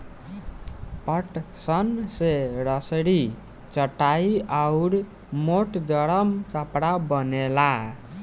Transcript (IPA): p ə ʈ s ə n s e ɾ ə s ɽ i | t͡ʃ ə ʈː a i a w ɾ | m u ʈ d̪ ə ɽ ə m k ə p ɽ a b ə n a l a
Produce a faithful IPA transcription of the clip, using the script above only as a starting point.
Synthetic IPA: p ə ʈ s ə n s e ɾ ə s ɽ i | t͡ʃ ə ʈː a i a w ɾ | m o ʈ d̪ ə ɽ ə m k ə p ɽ a b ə n e l a